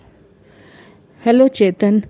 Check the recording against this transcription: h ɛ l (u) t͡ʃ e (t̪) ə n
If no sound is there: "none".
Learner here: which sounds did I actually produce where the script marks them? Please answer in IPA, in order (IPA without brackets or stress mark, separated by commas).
o, t̪